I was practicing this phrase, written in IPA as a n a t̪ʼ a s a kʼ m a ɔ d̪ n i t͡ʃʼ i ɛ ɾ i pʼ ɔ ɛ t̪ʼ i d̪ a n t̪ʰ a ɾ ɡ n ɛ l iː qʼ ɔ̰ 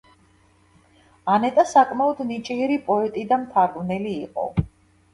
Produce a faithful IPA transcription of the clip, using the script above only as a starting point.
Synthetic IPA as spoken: a n ɛ t̪ʼ a s a kʼ m a ɔ d̪ n i t͡ʃʼ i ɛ ɾ i pʼ ɔ ɛ t̪ʼ i d̪ a m t̪ʰ a ɾ ɡ n ɛ l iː qʼ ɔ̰